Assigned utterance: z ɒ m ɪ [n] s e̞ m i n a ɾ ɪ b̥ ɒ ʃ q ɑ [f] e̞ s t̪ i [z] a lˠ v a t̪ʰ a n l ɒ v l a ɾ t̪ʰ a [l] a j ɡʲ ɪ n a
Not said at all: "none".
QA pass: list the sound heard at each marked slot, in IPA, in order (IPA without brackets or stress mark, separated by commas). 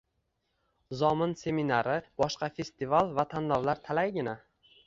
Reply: n, f, v, l